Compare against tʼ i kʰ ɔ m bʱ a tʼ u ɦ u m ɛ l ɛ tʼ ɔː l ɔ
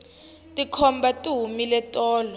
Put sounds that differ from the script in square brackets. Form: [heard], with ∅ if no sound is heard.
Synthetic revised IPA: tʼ i kʰ ɔ m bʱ a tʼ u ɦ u m [i] l ɛ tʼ ɔː l ɔ